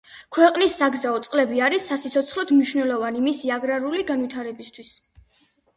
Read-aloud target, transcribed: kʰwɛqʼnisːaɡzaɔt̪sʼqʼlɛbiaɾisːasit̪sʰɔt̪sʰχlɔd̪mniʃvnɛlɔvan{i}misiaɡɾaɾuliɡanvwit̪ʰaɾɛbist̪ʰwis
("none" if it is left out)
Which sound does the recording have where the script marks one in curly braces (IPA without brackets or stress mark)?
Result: i